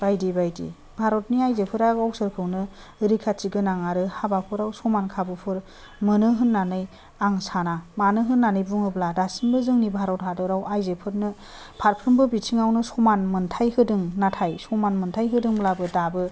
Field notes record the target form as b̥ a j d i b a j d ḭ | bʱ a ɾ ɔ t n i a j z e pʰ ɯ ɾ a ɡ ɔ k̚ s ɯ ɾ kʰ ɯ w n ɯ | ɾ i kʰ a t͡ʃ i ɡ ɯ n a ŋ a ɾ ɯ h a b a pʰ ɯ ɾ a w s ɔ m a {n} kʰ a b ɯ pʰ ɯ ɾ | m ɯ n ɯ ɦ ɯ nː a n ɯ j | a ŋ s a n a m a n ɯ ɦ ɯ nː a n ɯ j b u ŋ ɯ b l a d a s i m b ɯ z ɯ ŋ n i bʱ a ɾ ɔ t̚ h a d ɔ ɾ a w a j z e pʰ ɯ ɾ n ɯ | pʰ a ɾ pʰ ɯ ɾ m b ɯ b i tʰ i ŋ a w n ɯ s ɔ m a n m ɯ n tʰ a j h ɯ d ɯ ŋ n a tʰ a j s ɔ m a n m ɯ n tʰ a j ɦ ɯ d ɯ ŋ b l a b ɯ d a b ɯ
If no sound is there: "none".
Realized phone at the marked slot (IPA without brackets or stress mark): n